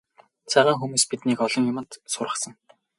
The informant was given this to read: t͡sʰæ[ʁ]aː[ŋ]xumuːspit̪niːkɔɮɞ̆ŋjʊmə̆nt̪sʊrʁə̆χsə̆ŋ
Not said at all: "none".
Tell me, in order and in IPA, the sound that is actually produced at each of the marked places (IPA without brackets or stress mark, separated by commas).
ʁ, ŋ